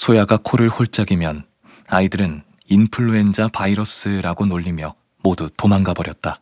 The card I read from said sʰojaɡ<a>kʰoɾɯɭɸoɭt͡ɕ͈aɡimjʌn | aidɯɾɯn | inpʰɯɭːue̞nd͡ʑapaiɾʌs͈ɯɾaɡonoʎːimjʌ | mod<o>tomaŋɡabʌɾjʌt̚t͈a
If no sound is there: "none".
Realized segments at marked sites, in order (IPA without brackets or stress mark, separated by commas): a, u